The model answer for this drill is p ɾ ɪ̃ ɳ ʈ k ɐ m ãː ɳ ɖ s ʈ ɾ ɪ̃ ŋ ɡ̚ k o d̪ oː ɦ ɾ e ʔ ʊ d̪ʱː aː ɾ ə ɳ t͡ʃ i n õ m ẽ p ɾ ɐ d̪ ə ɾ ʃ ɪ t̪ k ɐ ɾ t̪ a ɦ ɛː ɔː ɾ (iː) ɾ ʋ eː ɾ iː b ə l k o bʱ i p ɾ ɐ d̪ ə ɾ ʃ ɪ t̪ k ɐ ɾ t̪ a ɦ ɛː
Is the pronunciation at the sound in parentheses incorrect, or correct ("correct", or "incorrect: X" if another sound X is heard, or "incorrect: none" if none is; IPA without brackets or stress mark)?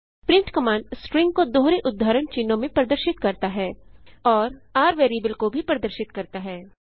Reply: incorrect: aː